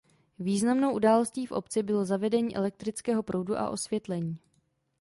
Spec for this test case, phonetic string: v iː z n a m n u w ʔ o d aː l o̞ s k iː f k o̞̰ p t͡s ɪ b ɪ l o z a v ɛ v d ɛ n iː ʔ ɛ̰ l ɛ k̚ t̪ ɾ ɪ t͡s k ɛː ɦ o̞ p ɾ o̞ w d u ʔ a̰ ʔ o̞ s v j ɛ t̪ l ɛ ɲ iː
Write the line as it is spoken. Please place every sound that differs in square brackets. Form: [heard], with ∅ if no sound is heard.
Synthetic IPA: v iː z n a m n [o] w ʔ [u] d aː l o̞ s [c] iː f [ʔ] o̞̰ p t͡s ɪ b ɪ l o z a v ɛ [∅] d ɛ [ɲ] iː ʔ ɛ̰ l ɛ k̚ t̪ ɾ ɪ t͡s k ɛː ɦ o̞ p ɾ o̞ w d u ʔ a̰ ʔ o̞ s v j ɛ t̪ l ɛ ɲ iː